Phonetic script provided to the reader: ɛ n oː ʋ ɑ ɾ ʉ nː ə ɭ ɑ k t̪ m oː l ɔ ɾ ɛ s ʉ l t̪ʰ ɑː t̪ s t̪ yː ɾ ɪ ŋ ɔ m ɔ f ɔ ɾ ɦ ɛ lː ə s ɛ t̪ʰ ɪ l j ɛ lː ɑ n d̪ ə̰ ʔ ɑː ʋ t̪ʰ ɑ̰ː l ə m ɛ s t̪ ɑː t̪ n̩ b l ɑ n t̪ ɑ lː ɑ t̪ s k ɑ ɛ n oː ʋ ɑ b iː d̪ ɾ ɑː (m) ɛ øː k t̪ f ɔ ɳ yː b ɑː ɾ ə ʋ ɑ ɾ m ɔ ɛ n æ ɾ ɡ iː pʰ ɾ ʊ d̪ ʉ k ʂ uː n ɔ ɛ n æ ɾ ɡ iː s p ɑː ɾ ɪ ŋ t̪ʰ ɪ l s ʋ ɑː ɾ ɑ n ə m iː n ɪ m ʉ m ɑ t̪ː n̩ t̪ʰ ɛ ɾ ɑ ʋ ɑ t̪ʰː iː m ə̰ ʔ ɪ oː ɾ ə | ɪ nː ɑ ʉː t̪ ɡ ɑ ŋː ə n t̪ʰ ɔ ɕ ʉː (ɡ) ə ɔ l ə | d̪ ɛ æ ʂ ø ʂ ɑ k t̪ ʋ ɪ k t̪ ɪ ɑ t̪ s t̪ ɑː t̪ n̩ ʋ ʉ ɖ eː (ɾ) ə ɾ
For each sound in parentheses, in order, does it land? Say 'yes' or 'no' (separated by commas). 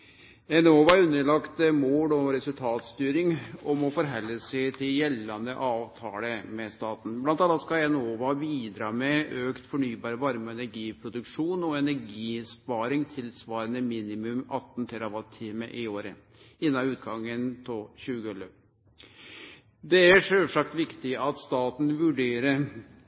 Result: yes, yes, yes